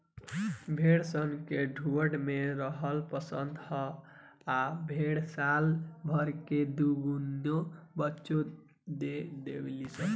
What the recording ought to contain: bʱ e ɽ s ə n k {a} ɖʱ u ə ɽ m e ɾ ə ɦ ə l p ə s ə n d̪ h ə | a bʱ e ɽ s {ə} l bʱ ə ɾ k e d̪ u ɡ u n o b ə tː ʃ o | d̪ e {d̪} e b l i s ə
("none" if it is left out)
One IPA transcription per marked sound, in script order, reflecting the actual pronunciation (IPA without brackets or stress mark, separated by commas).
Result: e, a, d̪